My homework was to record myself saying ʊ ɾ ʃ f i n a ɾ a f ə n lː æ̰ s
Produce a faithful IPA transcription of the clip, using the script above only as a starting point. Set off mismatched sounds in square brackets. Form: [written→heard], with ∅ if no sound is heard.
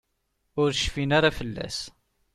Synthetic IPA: ʊ ɾ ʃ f i n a ɾ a f ə [n→∅] lː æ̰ s